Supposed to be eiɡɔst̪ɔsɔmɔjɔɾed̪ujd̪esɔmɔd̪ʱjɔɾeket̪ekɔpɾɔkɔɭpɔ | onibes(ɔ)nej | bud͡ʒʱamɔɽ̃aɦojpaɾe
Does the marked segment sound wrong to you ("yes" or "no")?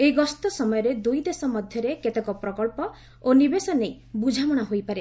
no